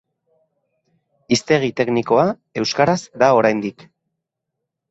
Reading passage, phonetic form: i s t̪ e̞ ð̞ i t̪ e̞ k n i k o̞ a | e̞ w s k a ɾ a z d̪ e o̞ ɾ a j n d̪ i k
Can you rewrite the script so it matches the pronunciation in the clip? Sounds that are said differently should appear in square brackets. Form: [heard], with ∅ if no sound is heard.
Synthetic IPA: i s t̪ e̞ [ɣ̞] i t̪ e̞ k n i k o̞ a | e̞ w s k a ɾ a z d̪ [a] o̞ ɾ a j n d̪ i k